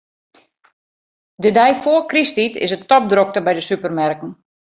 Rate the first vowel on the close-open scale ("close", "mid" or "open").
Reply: mid